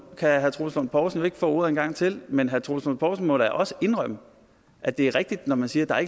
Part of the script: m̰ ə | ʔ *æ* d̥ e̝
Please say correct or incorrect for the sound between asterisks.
correct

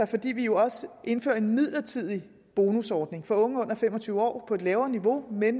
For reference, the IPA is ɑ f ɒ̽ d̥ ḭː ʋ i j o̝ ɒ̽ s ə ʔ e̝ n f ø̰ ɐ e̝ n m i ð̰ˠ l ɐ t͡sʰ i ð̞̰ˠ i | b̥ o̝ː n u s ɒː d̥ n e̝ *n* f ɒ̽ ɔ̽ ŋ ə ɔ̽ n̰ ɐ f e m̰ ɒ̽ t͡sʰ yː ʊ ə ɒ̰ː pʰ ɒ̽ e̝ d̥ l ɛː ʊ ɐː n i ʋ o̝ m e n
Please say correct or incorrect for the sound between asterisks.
incorrect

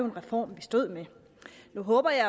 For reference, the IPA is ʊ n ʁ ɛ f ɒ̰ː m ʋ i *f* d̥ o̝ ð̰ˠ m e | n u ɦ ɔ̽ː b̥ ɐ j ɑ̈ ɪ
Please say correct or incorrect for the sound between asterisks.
incorrect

